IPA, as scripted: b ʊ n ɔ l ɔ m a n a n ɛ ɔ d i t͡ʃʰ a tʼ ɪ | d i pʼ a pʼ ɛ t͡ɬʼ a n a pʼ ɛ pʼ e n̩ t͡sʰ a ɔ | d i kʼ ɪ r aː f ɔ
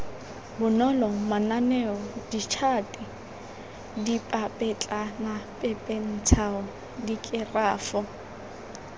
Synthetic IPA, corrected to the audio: b ʊ n ɔ l ɔ m a n a n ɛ ɔ d i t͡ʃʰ a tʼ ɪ | d i pʼ a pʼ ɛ t͡ɬʼ a n a pʼ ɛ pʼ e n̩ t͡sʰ a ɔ | d i kʼ ɪ r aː f ɔ